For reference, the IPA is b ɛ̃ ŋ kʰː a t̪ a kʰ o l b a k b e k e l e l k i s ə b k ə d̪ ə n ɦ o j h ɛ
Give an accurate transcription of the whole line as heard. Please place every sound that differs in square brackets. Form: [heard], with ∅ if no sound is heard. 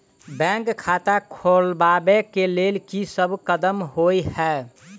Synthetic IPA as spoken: b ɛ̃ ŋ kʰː a t̪ a kʰ o l b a [∅] b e k e l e l k i s ə b k ə d̪ ə [m] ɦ o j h ɛ